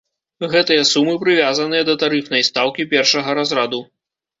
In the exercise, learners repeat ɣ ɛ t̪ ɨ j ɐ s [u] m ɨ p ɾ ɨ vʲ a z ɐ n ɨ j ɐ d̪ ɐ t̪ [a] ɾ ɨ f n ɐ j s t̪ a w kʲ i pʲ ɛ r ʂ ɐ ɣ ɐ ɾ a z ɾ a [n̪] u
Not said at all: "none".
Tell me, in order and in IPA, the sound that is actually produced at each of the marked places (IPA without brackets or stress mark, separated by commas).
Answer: u, a, d̪